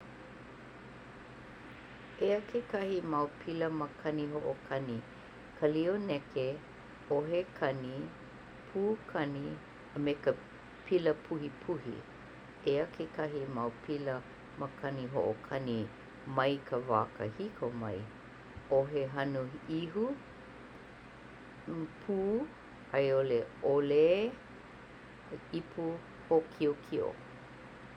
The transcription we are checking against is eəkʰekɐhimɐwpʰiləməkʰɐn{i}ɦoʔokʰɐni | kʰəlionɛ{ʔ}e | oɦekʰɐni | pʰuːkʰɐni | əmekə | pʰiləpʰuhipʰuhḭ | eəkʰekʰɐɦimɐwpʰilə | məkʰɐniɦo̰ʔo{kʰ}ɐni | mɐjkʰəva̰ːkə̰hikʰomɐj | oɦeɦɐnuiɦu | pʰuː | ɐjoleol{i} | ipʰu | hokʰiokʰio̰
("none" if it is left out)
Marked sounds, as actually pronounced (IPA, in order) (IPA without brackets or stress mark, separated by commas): i, k, kʰ, e